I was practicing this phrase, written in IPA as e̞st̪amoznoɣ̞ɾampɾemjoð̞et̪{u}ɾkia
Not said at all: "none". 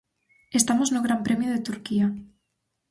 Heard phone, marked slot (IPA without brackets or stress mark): u